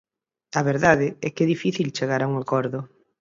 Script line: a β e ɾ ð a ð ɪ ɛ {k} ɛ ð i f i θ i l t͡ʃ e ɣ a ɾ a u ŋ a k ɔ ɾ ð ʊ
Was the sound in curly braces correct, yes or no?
yes